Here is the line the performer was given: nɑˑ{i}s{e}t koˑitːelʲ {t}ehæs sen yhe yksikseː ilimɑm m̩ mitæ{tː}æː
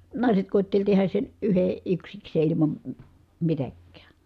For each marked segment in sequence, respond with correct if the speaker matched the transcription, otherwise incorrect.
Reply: correct, correct, correct, incorrect

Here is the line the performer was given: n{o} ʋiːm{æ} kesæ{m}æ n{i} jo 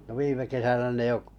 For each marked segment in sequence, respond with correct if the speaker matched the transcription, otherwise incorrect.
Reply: correct, incorrect, incorrect, incorrect

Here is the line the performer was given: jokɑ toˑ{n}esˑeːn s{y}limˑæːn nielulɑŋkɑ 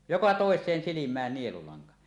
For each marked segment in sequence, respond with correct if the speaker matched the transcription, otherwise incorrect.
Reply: incorrect, incorrect

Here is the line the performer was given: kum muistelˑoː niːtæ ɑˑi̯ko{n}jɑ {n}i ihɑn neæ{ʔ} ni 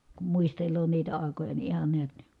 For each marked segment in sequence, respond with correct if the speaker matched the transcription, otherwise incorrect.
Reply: incorrect, correct, incorrect

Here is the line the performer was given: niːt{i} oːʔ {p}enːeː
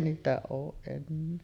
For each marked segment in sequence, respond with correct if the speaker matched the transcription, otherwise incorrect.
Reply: incorrect, incorrect

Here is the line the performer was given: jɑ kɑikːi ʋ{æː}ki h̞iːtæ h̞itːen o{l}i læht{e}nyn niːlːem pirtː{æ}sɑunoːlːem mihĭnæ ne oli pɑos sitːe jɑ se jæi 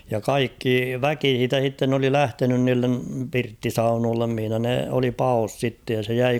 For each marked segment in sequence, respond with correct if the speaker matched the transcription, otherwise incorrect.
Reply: incorrect, correct, correct, incorrect

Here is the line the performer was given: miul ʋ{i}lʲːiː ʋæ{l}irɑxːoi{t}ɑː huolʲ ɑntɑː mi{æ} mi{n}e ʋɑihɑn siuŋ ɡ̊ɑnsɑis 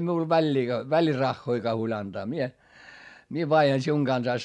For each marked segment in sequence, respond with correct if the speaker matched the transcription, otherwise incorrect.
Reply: incorrect, correct, incorrect, incorrect, incorrect

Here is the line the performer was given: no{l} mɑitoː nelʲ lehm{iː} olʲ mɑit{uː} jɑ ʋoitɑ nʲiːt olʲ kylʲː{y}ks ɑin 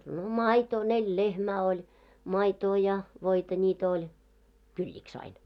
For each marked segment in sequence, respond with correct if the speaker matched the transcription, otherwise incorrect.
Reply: incorrect, incorrect, incorrect, incorrect

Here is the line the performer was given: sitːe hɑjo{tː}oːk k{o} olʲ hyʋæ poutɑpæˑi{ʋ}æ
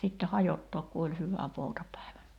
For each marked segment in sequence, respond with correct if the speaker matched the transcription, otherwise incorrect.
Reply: correct, incorrect, correct

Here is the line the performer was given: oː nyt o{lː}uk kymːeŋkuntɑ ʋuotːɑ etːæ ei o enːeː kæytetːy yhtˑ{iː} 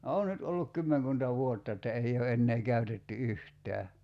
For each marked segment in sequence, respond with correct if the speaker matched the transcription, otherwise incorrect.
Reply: correct, incorrect

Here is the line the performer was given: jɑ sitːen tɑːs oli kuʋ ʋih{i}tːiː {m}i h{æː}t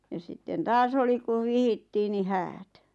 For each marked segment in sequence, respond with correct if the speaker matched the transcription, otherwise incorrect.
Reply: correct, incorrect, correct

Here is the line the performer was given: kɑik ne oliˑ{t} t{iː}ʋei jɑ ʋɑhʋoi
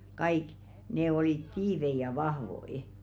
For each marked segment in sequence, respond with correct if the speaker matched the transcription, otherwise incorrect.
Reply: correct, correct

